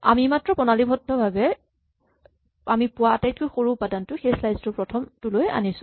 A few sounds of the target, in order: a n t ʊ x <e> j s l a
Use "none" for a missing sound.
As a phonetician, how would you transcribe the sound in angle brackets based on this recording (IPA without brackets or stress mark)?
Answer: e